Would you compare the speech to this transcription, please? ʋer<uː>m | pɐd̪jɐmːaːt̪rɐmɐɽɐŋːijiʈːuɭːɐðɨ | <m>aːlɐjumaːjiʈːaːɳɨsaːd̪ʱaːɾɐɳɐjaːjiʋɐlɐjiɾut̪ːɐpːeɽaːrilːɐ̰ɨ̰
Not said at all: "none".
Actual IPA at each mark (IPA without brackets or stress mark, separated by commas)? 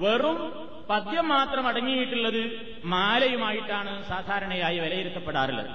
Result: u, m